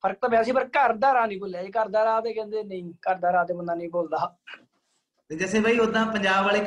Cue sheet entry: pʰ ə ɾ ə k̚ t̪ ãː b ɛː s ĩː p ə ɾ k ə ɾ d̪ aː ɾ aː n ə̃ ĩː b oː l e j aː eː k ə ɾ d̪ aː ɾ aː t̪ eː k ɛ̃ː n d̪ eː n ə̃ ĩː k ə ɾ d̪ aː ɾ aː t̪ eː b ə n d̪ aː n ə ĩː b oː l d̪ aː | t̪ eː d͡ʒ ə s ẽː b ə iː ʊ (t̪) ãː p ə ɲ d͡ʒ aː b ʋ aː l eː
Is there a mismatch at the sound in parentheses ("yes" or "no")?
yes